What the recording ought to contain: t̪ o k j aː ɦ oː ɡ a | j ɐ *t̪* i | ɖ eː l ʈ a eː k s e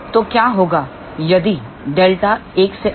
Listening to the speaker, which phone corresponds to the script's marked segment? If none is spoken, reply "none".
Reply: d̪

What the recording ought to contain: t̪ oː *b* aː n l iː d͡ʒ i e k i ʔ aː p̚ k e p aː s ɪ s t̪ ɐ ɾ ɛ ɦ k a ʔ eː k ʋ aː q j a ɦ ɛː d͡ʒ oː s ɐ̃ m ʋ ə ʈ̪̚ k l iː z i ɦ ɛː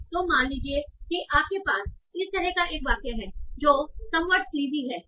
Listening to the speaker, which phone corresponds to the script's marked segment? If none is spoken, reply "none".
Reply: m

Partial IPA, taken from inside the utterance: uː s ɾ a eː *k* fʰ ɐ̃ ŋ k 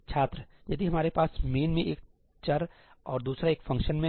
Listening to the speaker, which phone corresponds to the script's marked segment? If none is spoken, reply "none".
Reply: k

